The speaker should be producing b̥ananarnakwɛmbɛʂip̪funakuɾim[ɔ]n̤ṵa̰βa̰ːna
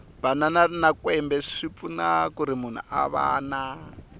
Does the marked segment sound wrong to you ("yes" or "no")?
yes